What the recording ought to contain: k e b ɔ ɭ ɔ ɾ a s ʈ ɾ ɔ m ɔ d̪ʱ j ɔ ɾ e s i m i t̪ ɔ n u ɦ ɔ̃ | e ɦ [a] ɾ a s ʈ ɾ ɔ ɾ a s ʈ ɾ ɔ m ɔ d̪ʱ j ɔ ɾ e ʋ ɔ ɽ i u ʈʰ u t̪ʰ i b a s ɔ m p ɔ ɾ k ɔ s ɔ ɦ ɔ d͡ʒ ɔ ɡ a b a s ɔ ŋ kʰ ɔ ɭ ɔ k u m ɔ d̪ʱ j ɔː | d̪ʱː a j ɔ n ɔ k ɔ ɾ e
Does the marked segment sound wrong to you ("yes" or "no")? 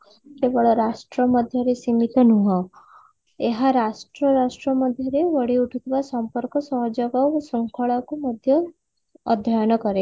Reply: no